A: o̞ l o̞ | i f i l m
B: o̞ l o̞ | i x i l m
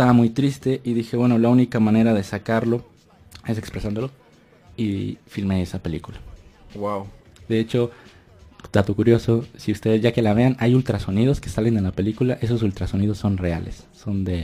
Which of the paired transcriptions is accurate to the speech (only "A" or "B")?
A